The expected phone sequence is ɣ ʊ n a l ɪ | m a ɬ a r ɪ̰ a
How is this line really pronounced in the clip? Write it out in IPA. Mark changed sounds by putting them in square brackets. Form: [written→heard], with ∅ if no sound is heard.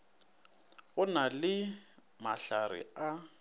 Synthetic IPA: ɣ ʊ n a l ɪ | m a ɬ a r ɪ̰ a